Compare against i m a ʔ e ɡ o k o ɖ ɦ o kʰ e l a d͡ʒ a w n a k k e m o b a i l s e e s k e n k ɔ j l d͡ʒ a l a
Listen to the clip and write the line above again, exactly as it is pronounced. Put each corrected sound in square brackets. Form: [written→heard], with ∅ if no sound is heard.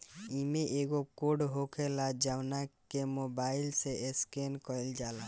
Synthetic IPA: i m [a→e] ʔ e ɡ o k o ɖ ɦ o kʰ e l a d͡ʒ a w n a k k e m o b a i l s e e s k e n k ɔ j l d͡ʒ a l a